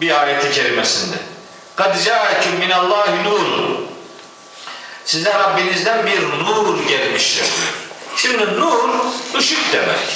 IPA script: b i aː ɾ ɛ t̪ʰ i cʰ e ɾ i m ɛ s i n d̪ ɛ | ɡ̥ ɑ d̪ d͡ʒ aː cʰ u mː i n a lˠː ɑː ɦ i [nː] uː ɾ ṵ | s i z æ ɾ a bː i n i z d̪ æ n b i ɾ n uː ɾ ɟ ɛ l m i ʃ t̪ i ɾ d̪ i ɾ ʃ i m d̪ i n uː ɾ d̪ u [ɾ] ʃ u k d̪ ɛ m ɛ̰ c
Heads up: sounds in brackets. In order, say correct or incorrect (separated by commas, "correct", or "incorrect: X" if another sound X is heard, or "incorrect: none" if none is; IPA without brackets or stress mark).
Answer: incorrect: n, incorrect: none